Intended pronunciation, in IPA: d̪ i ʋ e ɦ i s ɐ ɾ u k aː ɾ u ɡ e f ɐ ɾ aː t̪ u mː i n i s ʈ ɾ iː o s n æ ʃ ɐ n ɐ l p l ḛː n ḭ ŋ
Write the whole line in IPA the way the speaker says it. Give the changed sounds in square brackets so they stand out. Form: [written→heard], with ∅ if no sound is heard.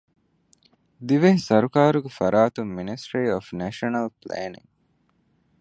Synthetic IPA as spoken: d̪ i ʋ e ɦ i s ɐ ɾ u k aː ɾ u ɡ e f ɐ ɾ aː t̪ u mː i n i s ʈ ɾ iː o [s→f] n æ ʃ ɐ n ɐ l p l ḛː n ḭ ŋ